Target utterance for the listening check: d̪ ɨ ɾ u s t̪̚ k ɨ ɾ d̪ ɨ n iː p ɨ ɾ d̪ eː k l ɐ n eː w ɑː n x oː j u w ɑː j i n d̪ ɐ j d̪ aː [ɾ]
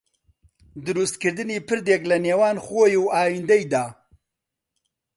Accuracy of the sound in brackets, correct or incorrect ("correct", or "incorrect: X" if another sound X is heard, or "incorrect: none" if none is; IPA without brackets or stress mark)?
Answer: incorrect: none